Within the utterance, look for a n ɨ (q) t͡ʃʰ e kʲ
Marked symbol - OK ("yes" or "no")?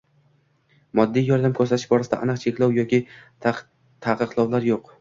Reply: yes